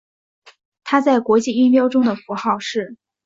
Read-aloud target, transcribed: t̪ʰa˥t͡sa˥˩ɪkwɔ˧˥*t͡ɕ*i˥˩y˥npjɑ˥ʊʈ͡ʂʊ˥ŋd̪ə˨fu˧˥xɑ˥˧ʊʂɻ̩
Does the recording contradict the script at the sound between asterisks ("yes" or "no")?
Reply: no